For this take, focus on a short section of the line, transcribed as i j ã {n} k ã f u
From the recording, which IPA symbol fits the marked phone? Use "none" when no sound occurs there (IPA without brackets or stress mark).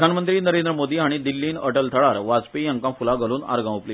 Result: ŋ